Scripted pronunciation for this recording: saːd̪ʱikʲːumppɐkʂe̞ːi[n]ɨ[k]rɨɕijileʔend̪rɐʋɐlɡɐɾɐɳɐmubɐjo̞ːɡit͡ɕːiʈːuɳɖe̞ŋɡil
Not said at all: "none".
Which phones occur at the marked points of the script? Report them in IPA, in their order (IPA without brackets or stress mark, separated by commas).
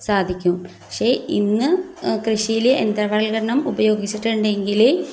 nː, k